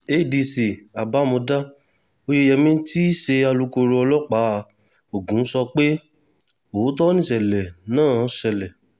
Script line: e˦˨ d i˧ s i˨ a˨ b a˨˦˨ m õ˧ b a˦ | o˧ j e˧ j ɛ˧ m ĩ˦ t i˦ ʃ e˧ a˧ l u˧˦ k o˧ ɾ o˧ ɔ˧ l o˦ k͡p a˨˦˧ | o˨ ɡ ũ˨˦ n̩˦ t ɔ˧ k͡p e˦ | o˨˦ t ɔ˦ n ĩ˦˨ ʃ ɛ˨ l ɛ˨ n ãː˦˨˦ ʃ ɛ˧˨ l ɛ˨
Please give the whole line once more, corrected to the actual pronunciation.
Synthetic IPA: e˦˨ d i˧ s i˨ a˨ b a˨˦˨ m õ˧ d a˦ | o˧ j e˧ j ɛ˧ m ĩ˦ t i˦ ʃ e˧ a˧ l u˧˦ k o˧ ɾ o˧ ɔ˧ l ɔ˦ k͡p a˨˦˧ | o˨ ɡ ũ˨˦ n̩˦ s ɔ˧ k͡p e˦ | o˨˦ t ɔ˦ n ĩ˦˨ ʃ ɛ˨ l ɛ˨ n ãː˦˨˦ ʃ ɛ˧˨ l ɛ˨